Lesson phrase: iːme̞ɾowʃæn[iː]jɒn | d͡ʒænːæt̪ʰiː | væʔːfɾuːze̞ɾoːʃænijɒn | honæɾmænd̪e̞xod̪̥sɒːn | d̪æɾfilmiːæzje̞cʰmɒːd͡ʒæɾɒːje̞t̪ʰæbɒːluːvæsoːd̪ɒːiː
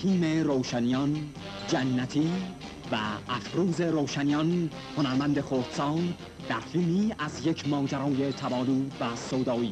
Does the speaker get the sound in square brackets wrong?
yes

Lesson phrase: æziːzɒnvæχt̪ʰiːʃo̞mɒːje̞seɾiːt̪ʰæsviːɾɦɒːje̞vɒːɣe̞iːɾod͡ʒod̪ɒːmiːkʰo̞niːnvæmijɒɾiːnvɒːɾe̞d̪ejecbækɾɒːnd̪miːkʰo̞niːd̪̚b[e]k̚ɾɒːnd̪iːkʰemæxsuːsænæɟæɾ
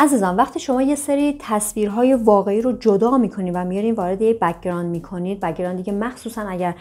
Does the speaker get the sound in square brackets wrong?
yes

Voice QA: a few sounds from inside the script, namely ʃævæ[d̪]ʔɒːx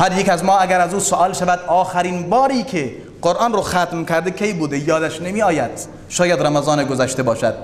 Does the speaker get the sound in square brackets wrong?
no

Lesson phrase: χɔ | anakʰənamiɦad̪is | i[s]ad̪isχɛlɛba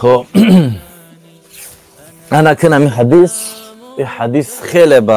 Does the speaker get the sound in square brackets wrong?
yes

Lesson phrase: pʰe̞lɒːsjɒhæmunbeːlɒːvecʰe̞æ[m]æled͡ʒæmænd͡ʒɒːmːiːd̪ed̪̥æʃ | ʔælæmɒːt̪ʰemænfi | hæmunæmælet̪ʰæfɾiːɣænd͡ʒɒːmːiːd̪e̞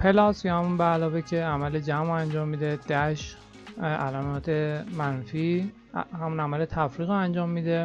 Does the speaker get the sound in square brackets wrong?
no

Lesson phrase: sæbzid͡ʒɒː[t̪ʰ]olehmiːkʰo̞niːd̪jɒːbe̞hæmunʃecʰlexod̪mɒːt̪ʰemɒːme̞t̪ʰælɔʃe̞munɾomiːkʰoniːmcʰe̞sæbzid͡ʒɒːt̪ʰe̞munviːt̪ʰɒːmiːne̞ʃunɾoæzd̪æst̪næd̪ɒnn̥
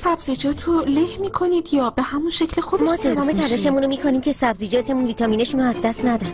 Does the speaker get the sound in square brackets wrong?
no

